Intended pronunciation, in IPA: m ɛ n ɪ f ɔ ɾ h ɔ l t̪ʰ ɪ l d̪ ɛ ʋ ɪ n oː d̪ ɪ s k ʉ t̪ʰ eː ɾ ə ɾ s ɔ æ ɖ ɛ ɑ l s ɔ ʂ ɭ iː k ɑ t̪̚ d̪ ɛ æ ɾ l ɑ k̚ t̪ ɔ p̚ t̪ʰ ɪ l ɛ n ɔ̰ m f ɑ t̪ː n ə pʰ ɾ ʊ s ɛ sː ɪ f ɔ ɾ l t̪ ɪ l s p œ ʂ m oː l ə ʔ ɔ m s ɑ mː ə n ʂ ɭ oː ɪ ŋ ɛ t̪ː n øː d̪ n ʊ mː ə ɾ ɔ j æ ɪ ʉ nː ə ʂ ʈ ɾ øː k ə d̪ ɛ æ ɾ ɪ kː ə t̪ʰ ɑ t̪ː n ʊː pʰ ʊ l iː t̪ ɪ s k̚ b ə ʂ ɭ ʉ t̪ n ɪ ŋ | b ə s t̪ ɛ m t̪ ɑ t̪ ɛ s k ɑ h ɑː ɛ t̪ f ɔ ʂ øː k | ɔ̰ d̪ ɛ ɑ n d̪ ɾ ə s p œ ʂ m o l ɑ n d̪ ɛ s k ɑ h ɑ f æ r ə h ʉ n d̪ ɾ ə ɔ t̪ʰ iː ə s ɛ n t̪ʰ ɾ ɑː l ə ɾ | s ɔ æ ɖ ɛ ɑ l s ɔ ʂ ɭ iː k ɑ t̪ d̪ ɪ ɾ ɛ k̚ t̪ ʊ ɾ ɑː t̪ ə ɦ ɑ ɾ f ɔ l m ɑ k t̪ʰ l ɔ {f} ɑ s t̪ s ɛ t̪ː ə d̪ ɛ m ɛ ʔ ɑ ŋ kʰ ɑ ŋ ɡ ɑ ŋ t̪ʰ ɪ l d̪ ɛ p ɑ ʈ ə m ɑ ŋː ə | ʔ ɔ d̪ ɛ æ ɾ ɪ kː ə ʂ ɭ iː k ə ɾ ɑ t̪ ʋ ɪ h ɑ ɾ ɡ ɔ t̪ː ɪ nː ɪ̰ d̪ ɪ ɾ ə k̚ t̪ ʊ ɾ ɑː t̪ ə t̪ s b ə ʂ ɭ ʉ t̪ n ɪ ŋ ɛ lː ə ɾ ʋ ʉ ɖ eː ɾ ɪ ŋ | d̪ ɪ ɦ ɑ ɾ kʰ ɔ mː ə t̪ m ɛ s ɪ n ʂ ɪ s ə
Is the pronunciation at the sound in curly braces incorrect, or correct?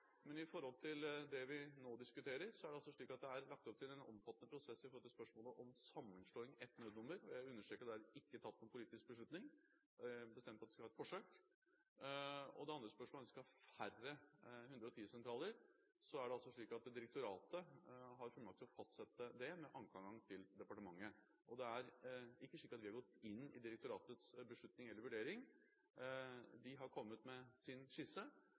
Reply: correct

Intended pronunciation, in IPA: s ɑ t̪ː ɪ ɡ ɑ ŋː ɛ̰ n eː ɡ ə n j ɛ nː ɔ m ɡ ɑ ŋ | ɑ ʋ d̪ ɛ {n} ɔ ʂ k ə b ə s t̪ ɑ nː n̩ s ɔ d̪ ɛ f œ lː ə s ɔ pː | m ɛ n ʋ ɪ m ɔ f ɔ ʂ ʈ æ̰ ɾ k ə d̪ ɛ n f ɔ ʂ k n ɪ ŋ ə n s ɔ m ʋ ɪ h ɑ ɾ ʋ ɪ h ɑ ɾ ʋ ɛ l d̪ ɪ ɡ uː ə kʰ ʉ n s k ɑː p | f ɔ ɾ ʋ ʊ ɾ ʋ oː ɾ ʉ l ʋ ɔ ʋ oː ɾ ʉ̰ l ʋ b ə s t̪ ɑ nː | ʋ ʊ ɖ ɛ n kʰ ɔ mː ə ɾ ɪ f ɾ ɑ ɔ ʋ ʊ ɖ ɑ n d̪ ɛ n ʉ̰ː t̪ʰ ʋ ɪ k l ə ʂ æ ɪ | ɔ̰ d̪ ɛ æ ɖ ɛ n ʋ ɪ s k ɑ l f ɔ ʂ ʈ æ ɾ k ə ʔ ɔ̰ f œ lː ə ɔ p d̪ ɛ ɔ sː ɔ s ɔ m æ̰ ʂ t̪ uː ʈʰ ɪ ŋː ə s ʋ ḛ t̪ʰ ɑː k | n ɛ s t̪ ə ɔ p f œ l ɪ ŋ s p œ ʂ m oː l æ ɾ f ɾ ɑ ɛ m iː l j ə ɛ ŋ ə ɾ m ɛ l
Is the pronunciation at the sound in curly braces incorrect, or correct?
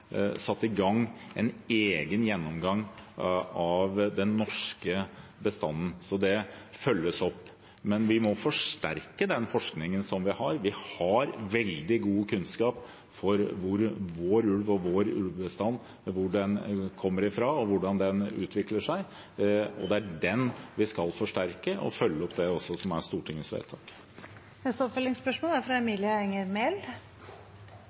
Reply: incorrect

